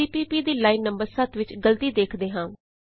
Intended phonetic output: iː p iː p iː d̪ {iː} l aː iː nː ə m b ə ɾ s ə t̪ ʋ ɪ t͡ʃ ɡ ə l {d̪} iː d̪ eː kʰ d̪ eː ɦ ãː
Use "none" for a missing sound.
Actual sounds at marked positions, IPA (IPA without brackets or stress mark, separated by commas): iː, t̪